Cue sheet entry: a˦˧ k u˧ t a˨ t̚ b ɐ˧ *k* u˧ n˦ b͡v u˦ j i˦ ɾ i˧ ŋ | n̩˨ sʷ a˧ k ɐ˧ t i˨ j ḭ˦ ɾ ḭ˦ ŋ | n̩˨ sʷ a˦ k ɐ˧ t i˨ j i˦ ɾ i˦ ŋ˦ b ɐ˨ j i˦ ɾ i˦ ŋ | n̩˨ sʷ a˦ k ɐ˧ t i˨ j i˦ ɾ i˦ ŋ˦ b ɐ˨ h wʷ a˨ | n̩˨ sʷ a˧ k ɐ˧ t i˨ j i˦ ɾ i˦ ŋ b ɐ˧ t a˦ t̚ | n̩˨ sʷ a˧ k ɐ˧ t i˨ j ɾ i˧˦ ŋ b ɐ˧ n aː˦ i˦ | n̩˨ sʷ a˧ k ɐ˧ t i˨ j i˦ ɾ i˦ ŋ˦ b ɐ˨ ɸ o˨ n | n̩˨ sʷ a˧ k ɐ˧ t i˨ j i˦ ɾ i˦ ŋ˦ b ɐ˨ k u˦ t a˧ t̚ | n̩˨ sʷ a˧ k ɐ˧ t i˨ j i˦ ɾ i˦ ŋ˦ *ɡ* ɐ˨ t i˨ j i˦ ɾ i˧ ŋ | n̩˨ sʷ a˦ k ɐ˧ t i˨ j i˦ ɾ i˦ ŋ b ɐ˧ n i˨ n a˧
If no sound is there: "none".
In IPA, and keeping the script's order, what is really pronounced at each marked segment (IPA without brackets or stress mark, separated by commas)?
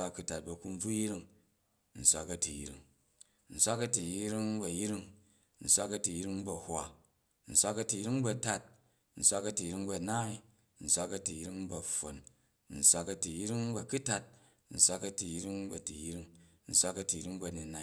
k, b